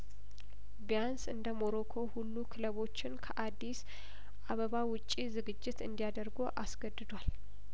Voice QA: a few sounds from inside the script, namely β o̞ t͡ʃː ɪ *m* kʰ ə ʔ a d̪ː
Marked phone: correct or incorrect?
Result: incorrect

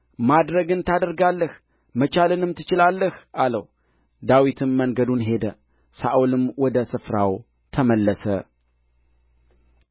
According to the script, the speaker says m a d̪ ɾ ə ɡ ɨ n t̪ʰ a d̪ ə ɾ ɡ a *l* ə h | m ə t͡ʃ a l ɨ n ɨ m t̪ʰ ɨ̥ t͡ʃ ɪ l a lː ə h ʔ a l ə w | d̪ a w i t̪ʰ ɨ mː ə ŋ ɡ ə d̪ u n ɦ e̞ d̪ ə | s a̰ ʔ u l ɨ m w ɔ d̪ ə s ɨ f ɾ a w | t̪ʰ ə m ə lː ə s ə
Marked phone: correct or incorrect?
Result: incorrect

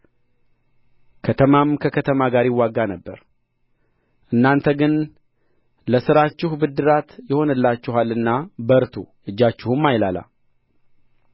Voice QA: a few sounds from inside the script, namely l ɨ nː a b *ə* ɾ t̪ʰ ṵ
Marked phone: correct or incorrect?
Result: correct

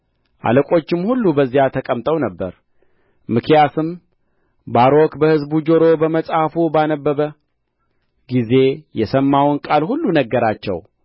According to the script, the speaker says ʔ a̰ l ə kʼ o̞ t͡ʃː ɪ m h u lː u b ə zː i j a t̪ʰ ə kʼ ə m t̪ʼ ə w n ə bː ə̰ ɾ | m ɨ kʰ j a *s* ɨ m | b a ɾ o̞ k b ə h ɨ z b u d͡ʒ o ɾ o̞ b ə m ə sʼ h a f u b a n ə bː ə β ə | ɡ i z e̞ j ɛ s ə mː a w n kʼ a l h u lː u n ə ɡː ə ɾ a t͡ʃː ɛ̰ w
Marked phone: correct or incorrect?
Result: correct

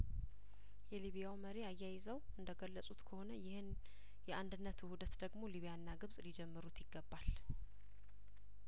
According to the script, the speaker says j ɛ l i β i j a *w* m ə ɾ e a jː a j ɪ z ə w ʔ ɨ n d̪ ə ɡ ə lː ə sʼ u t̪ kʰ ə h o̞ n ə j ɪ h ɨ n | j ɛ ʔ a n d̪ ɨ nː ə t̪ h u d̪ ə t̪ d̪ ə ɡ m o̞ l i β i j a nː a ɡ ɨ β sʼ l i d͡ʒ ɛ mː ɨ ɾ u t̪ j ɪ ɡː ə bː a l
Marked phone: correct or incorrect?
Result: correct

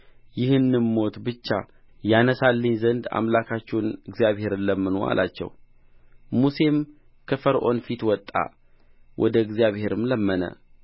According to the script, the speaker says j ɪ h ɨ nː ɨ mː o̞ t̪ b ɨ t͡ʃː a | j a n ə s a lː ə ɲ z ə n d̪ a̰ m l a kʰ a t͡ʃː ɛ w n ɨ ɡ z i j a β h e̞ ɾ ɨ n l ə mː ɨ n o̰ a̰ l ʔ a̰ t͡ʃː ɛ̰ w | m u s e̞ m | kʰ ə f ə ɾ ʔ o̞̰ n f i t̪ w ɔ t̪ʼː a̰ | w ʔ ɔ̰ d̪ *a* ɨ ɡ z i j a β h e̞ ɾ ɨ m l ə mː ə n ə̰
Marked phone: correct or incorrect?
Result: incorrect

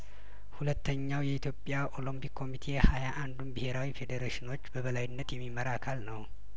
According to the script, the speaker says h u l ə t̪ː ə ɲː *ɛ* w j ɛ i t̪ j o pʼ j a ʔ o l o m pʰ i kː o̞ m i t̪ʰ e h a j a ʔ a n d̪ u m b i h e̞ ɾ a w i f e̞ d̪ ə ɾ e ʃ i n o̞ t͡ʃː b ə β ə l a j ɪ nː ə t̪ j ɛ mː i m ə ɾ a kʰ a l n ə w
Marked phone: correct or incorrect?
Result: incorrect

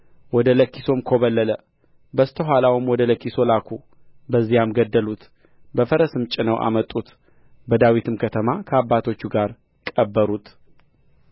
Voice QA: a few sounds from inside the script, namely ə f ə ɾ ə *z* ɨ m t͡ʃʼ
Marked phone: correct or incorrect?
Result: incorrect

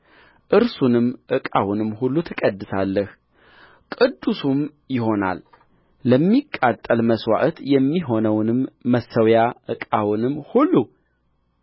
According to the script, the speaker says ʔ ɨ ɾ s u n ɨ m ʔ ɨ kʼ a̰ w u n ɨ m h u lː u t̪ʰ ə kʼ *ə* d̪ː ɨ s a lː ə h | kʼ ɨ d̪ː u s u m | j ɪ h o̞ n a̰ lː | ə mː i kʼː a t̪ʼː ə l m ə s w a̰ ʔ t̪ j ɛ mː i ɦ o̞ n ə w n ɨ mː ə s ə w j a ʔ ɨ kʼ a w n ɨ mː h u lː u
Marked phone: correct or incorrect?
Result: correct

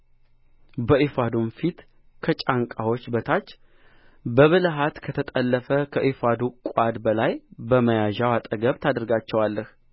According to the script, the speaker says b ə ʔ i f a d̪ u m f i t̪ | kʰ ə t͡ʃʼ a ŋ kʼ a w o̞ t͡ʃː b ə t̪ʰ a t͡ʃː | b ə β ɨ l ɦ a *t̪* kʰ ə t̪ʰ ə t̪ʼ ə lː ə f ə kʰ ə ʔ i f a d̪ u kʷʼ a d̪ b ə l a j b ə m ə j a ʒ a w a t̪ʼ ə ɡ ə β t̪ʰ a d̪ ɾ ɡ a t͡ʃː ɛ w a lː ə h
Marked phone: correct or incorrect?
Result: correct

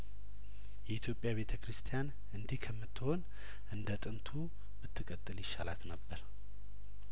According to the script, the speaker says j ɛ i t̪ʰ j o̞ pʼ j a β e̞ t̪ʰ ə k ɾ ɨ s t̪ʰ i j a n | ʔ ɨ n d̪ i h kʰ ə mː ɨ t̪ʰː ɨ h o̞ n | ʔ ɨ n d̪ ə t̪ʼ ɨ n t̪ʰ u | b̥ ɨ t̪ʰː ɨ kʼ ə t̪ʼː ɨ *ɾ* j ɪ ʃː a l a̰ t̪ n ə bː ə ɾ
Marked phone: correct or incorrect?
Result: incorrect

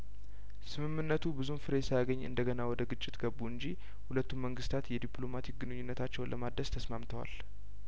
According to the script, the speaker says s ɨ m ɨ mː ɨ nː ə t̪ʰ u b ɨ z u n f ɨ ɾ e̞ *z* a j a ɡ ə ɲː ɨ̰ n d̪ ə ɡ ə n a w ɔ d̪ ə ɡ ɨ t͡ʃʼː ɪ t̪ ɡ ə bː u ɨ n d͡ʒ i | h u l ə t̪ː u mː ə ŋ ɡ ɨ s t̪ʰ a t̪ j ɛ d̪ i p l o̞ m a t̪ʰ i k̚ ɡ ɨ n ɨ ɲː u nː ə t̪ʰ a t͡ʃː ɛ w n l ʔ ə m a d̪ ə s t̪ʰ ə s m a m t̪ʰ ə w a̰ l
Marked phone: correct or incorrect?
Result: incorrect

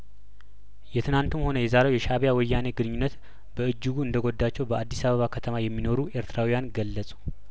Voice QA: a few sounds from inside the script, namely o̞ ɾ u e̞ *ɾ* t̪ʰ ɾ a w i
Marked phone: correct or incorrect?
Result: correct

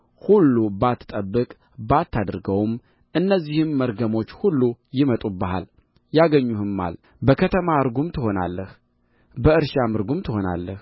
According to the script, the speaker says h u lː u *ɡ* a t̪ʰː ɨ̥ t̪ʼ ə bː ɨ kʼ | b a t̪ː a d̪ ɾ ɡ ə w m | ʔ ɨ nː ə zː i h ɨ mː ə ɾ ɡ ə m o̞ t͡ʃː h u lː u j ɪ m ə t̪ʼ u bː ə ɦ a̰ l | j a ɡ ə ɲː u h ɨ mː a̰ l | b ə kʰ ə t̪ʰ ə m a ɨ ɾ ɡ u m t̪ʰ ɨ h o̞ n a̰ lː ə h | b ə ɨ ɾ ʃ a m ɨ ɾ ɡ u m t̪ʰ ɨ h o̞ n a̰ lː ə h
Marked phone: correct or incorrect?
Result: incorrect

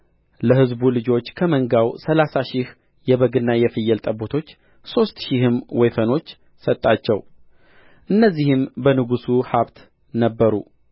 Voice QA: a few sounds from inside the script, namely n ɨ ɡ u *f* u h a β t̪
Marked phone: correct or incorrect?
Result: incorrect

